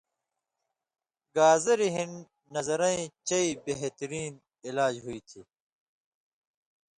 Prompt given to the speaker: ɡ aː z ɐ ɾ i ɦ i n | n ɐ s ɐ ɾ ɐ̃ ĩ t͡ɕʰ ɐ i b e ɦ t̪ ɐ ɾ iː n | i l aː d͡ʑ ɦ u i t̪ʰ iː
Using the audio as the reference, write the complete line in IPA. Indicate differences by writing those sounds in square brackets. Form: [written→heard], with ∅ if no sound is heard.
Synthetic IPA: ɡ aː z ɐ ɾ i ɦ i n | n ɐ [s→z] ɐ ɾ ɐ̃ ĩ [t͡ɕʰ→t͡ɕ] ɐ i b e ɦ t̪ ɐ ɾ iː n | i l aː d͡ʑ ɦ u i t̪ʰ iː

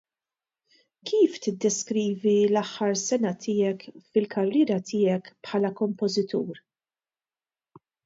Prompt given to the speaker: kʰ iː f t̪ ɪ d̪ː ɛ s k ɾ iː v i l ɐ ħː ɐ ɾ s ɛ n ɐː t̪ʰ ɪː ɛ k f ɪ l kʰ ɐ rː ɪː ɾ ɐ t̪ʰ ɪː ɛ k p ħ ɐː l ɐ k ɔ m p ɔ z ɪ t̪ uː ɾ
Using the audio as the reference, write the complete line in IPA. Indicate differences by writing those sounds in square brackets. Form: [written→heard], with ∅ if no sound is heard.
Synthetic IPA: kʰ iː f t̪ ɪ d̪ː ɛ s k ɾ iː v i l ɐ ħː ɐ ɾ s ɛ n [ɐː→ɐ] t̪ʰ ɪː ɛ k f ɪ l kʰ ɐ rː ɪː ɾ ɐ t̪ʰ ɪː ɛ k p ħ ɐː l ɐ k ɔ m p ɔ z ɪ t̪ uː ɾ

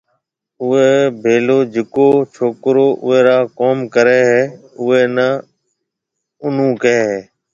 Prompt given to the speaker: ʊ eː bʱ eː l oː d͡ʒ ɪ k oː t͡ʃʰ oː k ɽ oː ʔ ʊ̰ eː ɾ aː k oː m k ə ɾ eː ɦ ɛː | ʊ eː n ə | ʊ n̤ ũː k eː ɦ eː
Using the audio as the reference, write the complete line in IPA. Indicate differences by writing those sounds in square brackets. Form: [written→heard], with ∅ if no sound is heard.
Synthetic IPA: ʊ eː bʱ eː l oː d͡ʒ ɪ k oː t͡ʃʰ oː k [ɽ→ɾ] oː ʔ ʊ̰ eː ɾ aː k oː m k ə ɾ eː ɦ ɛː | ʊ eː n ə | ʊ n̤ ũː k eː ɦ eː

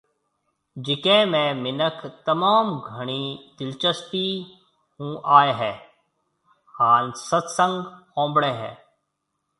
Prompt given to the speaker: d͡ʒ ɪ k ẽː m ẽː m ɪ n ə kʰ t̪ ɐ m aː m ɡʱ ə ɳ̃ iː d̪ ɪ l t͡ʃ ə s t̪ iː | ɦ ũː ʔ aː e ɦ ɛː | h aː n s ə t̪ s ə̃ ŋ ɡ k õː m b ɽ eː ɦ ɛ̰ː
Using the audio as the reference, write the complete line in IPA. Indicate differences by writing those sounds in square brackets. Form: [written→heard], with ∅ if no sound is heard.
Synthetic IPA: d͡ʒ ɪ k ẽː m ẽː m ɪ n ə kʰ t̪ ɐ m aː m ɡʱ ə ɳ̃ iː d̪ ɪ l t͡ʃ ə s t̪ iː | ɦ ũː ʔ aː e ɦ ɛː | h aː n s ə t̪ s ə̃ ŋ ɡ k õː m b ɽ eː ɦ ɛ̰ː

